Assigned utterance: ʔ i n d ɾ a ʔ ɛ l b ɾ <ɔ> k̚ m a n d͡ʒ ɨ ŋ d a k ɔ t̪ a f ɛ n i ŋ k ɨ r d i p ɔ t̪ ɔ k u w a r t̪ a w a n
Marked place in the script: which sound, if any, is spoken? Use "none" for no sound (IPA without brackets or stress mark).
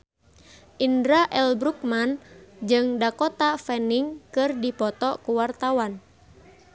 u